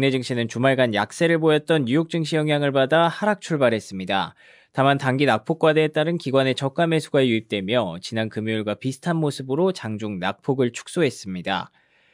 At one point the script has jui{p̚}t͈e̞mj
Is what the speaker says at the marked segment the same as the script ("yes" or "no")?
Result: yes